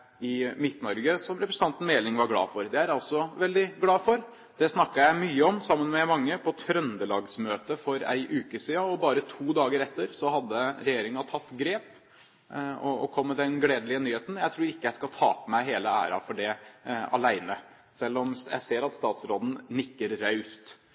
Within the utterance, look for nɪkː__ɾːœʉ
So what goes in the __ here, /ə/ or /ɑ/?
ə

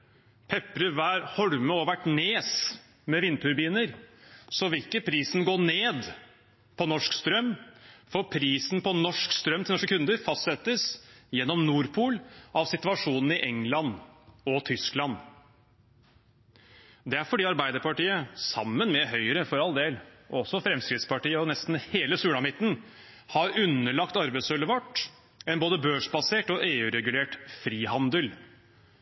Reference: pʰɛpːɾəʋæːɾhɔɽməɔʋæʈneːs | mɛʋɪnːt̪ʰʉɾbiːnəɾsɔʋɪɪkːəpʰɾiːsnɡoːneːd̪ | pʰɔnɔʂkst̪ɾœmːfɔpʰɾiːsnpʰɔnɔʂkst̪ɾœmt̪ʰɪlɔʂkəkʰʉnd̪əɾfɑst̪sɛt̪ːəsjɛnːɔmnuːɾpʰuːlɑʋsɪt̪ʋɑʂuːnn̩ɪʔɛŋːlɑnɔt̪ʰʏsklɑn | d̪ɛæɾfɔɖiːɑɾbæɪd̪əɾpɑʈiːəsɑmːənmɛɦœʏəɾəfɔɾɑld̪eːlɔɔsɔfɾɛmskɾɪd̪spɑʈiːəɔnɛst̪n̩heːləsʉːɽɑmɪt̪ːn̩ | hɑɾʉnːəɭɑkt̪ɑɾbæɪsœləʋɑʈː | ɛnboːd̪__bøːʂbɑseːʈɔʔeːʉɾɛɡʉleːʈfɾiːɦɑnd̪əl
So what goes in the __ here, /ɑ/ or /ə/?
ə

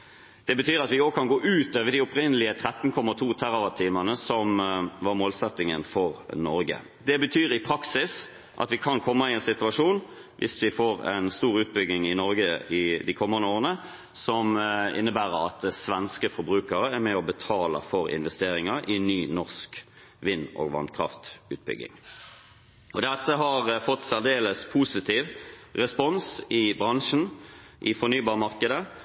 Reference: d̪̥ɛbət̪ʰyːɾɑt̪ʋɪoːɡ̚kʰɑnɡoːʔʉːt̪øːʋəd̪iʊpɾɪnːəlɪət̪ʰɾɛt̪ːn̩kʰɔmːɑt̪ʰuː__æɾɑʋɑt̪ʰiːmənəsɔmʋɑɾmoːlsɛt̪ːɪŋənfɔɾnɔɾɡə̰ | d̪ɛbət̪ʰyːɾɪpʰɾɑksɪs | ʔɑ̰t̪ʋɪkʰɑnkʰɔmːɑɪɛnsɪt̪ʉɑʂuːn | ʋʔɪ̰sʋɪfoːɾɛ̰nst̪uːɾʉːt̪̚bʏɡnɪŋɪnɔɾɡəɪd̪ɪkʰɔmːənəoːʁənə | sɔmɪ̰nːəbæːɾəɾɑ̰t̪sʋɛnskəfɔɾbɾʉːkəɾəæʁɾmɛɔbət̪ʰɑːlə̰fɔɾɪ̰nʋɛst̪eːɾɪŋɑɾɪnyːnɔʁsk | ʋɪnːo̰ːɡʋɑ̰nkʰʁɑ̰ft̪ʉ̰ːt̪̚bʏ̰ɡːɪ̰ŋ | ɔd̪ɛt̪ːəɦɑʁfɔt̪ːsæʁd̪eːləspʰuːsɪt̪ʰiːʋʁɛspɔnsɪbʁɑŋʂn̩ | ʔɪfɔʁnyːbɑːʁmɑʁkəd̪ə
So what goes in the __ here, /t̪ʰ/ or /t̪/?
t̪ʰ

